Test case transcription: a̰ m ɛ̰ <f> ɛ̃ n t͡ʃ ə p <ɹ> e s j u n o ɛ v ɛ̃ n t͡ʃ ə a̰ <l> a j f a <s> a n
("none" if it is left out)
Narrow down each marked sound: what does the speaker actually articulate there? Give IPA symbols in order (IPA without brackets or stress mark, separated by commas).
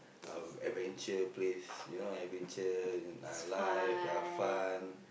v, l, l, f